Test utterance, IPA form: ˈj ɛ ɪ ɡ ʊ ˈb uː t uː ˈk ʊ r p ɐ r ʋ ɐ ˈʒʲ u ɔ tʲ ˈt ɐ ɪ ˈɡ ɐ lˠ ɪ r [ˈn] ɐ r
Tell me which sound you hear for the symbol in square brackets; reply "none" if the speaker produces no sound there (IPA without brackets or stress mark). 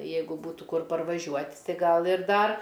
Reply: d